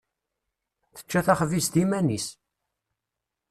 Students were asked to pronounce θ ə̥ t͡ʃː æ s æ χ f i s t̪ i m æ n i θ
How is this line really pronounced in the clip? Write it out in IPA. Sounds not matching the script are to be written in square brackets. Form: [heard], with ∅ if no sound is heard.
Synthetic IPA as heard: θ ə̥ t͡ʃː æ [θ] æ χ [v] i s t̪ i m æ n i [s]